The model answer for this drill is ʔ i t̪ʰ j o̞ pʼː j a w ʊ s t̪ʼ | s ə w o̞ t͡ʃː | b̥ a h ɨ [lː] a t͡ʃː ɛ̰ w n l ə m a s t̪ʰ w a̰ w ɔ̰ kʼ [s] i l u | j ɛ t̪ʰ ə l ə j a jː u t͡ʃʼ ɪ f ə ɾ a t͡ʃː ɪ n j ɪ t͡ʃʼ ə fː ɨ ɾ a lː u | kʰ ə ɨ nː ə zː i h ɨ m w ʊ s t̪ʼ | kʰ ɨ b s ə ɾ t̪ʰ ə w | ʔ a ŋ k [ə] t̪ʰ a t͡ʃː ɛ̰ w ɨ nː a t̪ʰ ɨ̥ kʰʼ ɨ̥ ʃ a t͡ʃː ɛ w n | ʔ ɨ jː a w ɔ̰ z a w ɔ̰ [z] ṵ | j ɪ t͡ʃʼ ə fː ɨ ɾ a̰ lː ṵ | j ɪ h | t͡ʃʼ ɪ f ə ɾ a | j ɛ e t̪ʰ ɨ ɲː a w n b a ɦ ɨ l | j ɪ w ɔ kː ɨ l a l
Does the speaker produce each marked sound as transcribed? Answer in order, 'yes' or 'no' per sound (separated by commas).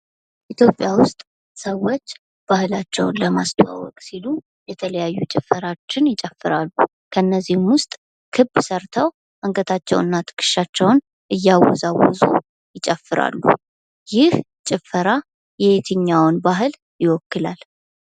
no, yes, yes, yes